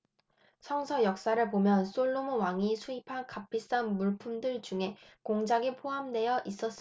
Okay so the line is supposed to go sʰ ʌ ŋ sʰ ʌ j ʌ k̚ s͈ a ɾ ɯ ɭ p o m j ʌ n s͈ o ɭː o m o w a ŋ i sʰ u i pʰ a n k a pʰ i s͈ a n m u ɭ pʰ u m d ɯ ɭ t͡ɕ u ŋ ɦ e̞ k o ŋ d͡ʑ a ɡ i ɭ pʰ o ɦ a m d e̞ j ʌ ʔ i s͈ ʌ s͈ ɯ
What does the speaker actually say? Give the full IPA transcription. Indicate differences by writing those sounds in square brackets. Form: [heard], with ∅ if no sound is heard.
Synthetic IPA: sʰ ʌ ŋ sʰ ʌ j ʌ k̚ s͈ a ɾ ɯ ɭ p o m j ʌ n s͈ o ɭː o m o w a ŋ i sʰ u i pʰ a n k a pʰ i s͈ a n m u ɭ pʰ u m d ɯ ɭ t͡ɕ u ŋ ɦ e̞ k o ŋ d͡ʑ a ɡ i [∅] pʰ o ɦ a m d e̞ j ʌ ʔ i s͈ ʌ s͈ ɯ

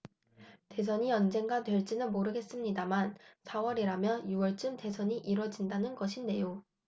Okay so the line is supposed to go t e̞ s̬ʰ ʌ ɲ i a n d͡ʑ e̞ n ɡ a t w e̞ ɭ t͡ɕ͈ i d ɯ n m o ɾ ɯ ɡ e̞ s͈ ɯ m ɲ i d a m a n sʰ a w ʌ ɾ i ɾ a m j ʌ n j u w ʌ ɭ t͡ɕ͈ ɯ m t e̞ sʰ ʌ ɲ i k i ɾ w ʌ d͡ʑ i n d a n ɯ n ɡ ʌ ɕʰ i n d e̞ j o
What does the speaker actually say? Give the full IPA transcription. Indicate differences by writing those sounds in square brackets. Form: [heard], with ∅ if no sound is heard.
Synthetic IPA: t e̞ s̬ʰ ʌ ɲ i [ʌ] n d͡ʑ e̞ [ŋ] ɡ a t w e̞ ɭ t͡ɕ͈ i [n] ɯ n m o ɾ ɯ ɡ e̞ s͈ ɯ m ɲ i d a m a n sʰ a w ʌ ɾ i ɾ a m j ʌ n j u w ʌ ɭ t͡ɕ͈ ɯ m t e̞ sʰ ʌ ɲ i [ʔ] i ɾ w ʌ d͡ʑ i n d a n ɯ n ɡ ʌ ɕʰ i n d e̞ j o

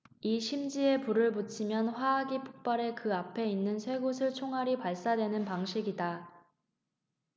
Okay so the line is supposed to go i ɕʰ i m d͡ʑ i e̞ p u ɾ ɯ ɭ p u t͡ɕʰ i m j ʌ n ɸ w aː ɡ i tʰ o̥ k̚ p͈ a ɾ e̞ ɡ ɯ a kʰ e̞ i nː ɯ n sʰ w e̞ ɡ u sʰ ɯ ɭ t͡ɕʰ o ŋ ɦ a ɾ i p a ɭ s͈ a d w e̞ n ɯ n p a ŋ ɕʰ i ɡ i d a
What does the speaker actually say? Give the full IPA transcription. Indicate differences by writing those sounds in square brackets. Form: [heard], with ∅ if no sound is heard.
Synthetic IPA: i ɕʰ i m d͡ʑ i e̞ p u ɾ ɯ ɭ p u t͡ɕʰ i m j ʌ n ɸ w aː ɡ i [pʰ] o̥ k̚ p͈ a ɾ e̞ [k] ɯ a [pʰ] e̞ i nː ɯ n sʰ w e̞ ɡ [o] sʰ ɯ ɭ t͡ɕʰ o ŋ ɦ a ɾ i p a ɭ s͈ a d w e̞ n ɯ n p a ŋ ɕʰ i ɡ i d a

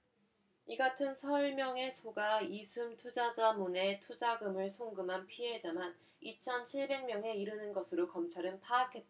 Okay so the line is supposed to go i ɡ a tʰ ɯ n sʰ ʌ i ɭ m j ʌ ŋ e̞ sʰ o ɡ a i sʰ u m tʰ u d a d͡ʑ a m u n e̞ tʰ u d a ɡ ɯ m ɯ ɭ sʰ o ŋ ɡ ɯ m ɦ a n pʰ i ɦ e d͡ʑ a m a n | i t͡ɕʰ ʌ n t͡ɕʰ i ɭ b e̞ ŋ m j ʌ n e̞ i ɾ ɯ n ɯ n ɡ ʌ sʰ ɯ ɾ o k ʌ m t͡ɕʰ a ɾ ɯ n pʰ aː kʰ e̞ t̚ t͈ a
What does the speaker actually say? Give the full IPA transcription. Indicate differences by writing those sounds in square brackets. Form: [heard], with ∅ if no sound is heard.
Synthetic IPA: i ɡ a tʰ ɯ n sʰ ʌ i ɭ m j ʌ ŋ e̞ sʰ o ɡ a i sʰ u m tʰ u [d͡ʑ] a d͡ʑ a m u n e̞ tʰ u [d͡ʑ] a ɡ ɯ m ɯ ɭ sʰ o ŋ ɡ ɯ m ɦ a n pʰ i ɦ e d͡ʑ a m a n | i t͡ɕʰ ʌ n t͡ɕʰ i ɭ b e̞ ŋ m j ʌ [ŋ] e̞ i ɾ ɯ n ɯ n ɡ ʌ sʰ ɯ ɾ o k ʌ m t͡ɕʰ a ɾ ɯ n pʰ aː kʰ e̞ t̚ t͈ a

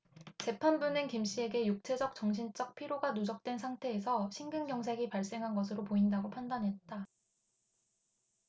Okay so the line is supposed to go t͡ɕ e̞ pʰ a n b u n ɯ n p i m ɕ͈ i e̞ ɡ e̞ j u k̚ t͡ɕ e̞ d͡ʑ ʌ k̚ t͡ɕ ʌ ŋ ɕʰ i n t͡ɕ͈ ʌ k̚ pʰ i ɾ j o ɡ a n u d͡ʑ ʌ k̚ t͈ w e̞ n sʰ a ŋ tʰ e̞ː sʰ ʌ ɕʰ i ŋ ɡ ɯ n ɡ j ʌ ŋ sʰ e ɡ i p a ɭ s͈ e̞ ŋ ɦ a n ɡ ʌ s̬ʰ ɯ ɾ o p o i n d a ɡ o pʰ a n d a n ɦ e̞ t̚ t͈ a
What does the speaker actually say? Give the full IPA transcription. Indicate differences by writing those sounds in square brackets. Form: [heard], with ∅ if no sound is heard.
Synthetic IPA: t͡ɕ e̞ pʰ a n b u n ɯ n [k] i m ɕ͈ i e̞ ɡ e̞ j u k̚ [t͡ɕʰ] e̞ d͡ʑ ʌ k̚ t͡ɕ ʌ ŋ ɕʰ i n t͡ɕ͈ ʌ k̚ pʰ i ɾ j o ɡ a n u d͡ʑ ʌ k̚ t͈ w e̞ n sʰ a ŋ tʰ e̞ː sʰ ʌ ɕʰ i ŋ ɡ ɯ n ɡ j ʌ ŋ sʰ e ɡ i p a ɭ s͈ e̞ ŋ ɦ a n ɡ ʌ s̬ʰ ɯ ɾ o p o i n d a ɡ o pʰ a n d a n ɦ e̞ t̚ t͈ a

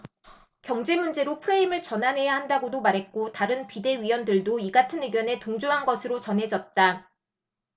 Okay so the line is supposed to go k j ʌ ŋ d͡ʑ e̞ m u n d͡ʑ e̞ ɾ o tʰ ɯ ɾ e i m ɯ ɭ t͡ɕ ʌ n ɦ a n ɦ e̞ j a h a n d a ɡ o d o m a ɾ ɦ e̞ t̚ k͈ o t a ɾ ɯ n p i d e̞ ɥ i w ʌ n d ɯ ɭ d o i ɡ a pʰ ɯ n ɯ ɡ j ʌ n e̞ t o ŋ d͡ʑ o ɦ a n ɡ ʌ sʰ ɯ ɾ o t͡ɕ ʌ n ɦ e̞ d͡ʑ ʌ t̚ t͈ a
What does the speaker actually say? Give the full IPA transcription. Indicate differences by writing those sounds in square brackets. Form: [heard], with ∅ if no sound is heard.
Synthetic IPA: k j ʌ ŋ d͡ʑ e̞ m u n d͡ʑ e̞ ɾ o [pʰ] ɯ ɾ e i m ɯ ɭ t͡ɕ ʌ n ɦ a n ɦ e̞ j a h a n d a ɡ o d o m a ɾ ɦ e̞ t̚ k͈ o t a ɾ ɯ n p i d e̞ ɥ i w ʌ n d ɯ ɭ d o i ɡ a [tʰ] ɯ n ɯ ɡ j ʌ n e̞ t o ŋ d͡ʑ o ɦ a n ɡ ʌ sʰ ɯ ɾ o t͡ɕ ʌ n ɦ e̞ d͡ʑ ʌ t̚ t͈ a

